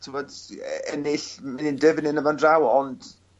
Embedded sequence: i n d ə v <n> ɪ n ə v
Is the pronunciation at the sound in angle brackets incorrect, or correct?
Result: correct